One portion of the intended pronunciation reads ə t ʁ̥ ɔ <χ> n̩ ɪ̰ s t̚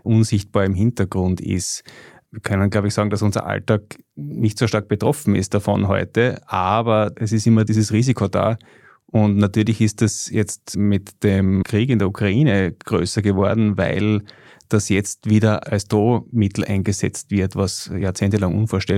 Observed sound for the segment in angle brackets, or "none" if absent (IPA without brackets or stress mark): f